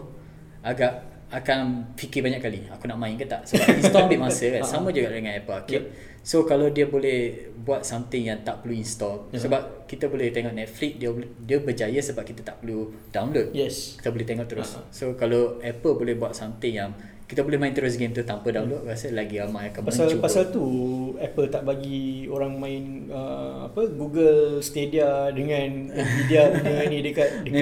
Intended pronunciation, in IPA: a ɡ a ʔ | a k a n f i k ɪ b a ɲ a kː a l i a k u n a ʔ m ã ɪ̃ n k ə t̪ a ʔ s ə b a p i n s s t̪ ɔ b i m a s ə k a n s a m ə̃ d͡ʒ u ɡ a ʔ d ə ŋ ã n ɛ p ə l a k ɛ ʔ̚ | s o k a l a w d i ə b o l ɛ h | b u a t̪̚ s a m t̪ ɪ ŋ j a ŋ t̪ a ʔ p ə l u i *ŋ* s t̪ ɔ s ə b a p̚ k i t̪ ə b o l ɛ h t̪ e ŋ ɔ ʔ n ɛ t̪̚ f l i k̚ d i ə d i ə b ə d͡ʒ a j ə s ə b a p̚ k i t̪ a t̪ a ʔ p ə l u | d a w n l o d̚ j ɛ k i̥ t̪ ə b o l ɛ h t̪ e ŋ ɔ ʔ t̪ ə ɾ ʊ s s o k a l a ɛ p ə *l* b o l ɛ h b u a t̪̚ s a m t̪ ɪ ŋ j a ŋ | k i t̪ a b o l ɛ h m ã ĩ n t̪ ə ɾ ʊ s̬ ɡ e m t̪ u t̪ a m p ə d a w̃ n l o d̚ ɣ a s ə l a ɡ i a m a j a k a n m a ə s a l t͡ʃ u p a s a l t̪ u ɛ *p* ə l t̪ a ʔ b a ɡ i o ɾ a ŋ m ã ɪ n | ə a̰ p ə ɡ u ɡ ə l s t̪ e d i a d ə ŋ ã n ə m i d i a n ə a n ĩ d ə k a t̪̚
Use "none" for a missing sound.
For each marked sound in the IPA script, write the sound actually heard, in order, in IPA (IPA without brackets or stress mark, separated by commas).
n, l, p